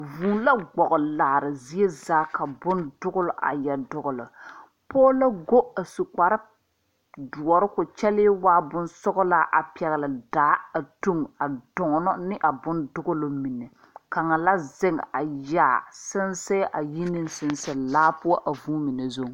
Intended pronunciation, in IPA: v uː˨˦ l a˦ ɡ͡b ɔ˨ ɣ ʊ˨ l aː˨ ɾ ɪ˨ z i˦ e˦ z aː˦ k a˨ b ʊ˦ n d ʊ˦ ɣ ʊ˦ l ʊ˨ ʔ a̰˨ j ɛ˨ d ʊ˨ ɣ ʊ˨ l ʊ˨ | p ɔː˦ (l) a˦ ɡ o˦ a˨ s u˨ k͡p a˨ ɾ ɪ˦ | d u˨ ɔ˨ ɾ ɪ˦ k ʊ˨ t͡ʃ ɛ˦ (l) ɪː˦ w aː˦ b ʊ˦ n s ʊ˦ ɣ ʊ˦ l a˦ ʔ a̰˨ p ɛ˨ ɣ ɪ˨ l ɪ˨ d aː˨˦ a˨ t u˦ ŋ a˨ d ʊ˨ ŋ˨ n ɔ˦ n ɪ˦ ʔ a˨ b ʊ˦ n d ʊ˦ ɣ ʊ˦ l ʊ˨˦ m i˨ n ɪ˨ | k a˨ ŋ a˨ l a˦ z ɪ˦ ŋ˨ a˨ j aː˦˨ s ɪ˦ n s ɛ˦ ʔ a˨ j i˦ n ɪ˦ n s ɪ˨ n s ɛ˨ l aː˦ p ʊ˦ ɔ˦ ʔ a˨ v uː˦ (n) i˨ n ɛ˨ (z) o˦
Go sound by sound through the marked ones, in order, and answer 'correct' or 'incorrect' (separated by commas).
correct, correct, incorrect, correct